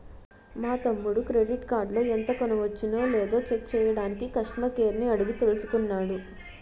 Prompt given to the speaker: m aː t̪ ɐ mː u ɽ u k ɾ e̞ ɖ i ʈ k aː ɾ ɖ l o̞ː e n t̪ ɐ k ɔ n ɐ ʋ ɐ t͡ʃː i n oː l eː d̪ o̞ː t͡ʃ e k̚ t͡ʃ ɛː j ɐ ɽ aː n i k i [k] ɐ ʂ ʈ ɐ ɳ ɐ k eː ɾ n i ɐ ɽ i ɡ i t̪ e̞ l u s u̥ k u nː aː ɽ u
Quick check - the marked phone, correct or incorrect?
correct